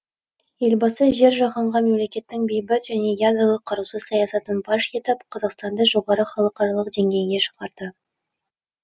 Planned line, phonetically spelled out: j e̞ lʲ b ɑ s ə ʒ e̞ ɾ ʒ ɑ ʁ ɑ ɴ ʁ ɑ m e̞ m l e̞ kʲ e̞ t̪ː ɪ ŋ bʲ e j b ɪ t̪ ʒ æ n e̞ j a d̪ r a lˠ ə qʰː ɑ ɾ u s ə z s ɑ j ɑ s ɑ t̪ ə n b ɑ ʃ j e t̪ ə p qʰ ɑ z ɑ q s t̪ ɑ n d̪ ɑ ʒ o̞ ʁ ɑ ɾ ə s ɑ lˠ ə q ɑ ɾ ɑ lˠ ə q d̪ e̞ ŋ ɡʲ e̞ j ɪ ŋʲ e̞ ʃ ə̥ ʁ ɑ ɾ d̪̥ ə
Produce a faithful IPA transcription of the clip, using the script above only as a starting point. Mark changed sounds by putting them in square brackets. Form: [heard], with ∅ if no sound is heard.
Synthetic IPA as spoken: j e̞ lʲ b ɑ s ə ʒ e̞ ɾ ʒ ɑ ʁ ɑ ɴ ʁ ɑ m e̞ m l e̞ kʲ e̞ t̪ː ɪ ŋ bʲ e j b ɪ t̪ ʒ æ n e̞ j a d̪ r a lˠ ə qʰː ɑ ɾ u s ə z s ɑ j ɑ s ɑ t̪ ə n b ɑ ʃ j e t̪ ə p qʰ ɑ z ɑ q s t̪ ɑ n d̪ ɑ ʒ o̞ ʁ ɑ ɾ ə [χ] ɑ lˠ ə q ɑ ɾ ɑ lˠ ə q d̪ e̞ ŋ ɡʲ e̞ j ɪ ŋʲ e̞ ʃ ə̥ ʁ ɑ ɾ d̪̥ ə